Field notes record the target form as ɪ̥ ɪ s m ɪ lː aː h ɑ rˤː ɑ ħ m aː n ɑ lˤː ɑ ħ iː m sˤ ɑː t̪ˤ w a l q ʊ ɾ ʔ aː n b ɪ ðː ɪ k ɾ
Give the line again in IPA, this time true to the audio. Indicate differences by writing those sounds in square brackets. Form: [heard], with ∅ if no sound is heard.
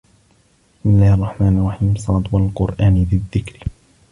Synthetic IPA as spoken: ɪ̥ ɪ s m ɪ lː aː h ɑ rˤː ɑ ħ m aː n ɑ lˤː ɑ ħ iː m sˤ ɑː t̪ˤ w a l q ʊ ɾ ʔ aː n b ɪ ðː ɪ k ɾ